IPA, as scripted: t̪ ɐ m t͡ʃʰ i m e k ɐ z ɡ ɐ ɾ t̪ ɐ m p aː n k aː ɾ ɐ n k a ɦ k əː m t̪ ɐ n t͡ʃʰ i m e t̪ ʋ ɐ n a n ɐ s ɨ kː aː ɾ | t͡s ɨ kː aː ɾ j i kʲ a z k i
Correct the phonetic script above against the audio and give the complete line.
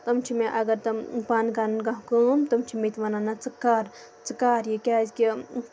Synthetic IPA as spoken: t̪ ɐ m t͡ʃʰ i m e ʔ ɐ ɡ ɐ ɾ t̪ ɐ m p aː n k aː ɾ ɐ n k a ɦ k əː m t̪ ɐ m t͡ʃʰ i m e t̪ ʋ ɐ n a n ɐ t͡s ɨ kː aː ɾ | t͡s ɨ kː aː ɾ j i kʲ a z k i